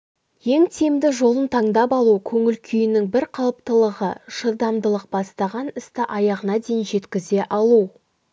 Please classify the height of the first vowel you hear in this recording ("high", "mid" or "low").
mid